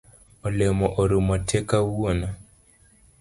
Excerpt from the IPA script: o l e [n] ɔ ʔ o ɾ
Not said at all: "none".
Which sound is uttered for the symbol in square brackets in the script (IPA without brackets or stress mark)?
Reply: m